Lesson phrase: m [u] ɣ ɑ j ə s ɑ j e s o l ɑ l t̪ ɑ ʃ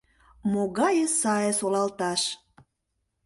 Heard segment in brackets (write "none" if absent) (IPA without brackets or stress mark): o